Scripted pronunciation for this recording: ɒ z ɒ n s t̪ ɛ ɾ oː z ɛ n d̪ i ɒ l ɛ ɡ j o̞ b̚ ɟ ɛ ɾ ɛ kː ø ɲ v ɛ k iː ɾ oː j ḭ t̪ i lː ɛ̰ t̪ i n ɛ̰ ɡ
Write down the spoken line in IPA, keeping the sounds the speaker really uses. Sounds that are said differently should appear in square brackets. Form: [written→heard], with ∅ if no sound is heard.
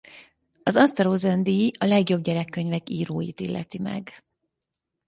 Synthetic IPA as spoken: ɒ z ɒ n s t̪ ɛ ɾ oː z ɛ n d̪ i ɒ l ɛ ɡ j o̞ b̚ ɟ ɛ ɾ ɛ kː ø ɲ v ɛ k iː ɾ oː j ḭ t̪ i lː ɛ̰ t̪ i [n→m] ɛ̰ ɡ